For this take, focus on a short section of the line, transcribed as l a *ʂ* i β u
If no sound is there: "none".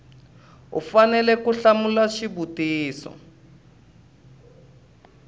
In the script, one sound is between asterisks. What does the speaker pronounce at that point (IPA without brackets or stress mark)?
ʃ